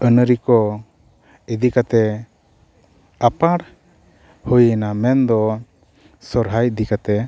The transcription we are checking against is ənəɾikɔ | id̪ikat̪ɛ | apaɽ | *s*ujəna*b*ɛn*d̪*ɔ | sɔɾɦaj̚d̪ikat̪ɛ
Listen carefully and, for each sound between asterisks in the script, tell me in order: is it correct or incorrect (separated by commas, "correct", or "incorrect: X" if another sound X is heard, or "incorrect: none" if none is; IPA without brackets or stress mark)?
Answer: incorrect: h, incorrect: m, correct